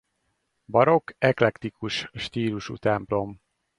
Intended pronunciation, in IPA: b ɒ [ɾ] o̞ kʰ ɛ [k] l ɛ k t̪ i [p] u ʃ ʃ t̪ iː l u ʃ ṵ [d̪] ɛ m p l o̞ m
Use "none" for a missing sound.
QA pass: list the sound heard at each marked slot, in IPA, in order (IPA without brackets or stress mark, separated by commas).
ɾ, k, k, t̪